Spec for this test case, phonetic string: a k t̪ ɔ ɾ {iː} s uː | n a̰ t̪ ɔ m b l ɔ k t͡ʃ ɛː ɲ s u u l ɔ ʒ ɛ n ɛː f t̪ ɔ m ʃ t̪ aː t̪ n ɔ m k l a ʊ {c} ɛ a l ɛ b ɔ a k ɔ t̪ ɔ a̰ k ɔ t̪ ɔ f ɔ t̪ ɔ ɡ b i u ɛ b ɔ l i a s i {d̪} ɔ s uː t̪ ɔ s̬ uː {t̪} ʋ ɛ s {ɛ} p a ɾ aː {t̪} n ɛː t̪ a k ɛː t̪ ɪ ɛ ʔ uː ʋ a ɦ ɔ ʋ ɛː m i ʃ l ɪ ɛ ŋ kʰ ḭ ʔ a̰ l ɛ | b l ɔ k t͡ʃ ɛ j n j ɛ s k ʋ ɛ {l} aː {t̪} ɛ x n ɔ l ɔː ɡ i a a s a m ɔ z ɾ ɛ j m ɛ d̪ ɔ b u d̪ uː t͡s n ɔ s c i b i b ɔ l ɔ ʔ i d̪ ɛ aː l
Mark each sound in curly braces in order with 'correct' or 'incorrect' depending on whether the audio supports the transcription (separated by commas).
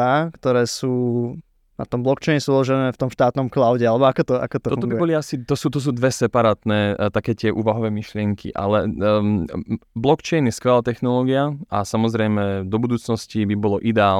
incorrect, incorrect, incorrect, incorrect, correct, correct, correct, correct